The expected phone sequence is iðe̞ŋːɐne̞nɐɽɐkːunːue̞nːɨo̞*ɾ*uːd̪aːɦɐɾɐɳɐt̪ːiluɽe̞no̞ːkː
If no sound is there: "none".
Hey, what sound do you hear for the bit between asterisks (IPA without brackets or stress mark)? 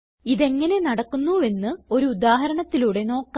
ɾ